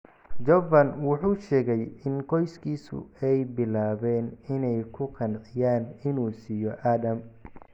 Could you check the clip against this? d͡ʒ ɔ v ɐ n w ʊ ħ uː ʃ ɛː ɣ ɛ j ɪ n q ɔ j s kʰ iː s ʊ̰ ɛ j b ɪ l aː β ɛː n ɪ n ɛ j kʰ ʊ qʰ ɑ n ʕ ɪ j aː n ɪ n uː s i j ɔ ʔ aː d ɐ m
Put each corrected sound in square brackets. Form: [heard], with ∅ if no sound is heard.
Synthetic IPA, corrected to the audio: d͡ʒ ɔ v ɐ n w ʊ ħ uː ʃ ɛː ɣ ɛ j ɪ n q ɔ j s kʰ iː s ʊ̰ ɛ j b ɪ l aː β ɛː n ɪ n ɛ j kʰ ʊ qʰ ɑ n ʕ ɪ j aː n ɪ n uː s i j ɔ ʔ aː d ɐ m